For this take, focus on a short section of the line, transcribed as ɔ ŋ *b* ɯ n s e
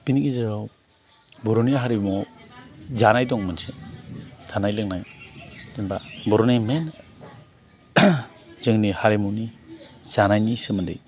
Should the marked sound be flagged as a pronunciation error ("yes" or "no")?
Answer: yes